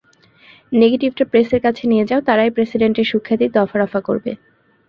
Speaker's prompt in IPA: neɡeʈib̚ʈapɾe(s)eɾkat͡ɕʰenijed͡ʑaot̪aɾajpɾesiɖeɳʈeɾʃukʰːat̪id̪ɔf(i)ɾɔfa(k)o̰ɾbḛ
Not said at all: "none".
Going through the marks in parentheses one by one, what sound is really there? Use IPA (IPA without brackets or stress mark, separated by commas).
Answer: s, a, k